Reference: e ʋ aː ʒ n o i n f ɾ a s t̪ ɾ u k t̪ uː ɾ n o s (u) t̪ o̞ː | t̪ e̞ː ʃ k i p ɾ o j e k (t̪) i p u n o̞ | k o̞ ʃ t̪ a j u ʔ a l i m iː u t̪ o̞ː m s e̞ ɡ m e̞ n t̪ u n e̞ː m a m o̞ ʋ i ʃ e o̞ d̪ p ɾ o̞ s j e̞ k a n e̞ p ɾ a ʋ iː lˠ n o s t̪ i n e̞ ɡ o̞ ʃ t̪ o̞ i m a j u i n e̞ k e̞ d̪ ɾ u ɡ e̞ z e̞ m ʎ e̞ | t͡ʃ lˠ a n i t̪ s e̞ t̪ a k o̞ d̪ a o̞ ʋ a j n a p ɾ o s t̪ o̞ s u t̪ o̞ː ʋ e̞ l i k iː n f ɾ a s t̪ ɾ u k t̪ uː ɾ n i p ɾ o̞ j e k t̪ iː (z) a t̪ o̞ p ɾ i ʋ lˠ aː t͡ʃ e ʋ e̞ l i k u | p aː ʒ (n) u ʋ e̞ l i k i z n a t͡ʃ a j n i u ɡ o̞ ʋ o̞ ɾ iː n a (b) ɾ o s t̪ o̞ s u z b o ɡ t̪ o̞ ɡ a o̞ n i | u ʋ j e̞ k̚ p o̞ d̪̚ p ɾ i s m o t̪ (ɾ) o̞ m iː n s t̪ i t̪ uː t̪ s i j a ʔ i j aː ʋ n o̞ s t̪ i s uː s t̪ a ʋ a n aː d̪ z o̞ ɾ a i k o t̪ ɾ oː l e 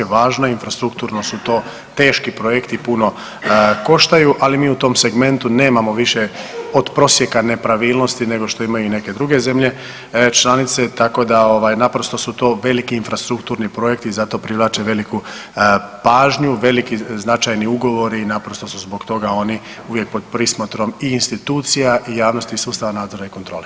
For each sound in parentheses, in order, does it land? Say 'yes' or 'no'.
yes, yes, yes, no, no, yes

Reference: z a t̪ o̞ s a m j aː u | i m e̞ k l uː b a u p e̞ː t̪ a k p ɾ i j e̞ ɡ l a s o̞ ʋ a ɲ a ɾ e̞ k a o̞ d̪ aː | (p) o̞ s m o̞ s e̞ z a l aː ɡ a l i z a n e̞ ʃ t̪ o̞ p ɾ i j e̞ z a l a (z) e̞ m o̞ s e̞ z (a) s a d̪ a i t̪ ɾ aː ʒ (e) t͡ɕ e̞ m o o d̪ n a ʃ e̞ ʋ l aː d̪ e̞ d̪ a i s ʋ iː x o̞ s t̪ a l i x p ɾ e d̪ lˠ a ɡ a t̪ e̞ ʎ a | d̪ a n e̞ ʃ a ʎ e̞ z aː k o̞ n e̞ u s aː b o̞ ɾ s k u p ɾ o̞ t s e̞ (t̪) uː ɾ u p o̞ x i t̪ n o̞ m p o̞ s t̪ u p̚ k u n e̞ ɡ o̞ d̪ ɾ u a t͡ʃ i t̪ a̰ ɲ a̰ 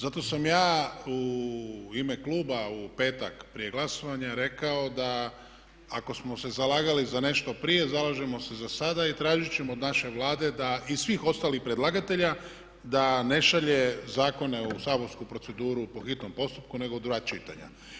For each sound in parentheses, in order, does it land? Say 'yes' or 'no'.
no, no, yes, no, no

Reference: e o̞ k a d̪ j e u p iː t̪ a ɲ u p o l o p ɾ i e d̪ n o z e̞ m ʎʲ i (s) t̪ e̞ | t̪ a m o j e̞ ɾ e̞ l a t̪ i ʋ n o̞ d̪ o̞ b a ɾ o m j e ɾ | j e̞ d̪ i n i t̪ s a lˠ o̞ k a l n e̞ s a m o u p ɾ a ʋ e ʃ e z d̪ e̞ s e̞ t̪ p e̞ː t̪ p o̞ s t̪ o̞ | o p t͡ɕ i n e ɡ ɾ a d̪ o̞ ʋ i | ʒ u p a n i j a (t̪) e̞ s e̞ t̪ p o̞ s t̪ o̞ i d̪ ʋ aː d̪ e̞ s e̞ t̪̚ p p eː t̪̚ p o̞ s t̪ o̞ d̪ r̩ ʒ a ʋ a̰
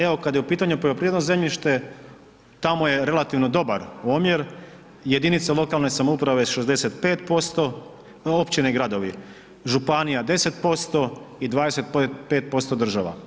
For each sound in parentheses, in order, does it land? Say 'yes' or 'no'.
no, no

